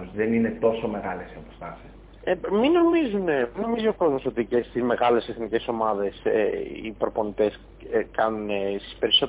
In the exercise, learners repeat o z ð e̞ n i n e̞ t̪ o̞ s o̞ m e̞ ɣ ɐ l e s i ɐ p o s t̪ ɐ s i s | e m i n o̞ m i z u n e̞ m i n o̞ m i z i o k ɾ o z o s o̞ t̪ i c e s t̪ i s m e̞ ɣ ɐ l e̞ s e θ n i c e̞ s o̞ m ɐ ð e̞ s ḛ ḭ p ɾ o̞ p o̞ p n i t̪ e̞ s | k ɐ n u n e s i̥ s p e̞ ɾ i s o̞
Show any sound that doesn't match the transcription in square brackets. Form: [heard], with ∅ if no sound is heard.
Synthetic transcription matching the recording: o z ð e̞ n i n e̞ t̪ o̞ s o̞ m e̞ ɣ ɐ l e s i ɐ p o s t̪ ɐ s i s | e m i n o̞ m i z u n e̞ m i n o̞ m i z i o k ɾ o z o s o̞ t̪ i c e s t̪ i [z] m e̞ ɣ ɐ l e̞ s e θ n i c e̞ s o̞ m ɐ ð e̞ s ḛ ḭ p ɾ o̞ p o̞ [∅] n i t̪ e̞ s | k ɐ n u n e s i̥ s p e̞ ɾ i s o̞